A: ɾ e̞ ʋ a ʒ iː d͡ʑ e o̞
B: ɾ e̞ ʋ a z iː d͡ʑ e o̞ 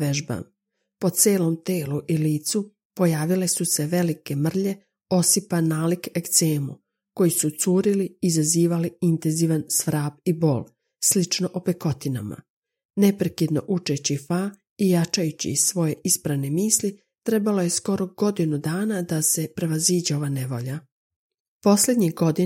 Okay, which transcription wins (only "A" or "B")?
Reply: B